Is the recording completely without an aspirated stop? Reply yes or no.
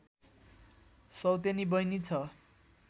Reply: no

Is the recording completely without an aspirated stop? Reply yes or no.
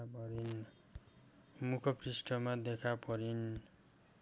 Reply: no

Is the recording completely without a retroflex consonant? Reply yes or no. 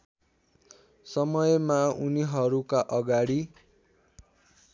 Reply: no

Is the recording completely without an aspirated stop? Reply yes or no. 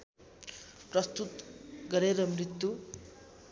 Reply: yes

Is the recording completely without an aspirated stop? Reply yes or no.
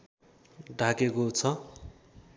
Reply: no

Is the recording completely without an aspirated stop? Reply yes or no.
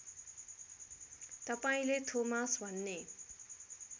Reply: no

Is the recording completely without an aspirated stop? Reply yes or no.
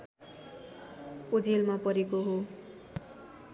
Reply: yes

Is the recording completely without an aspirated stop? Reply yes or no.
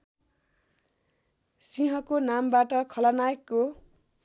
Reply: no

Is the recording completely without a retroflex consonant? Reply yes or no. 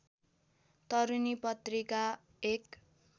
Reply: yes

